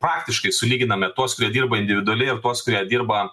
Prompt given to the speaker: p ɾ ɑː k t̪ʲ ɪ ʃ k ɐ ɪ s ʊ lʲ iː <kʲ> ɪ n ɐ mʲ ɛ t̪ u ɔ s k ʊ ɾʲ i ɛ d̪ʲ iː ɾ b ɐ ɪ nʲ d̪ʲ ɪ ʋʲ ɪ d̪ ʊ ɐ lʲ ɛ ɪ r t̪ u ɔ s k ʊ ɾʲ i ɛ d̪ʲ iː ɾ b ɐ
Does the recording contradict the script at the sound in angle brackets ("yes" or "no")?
yes